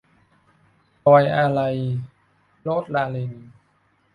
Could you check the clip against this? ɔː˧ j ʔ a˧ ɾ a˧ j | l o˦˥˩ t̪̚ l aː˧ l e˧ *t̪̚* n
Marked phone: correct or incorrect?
incorrect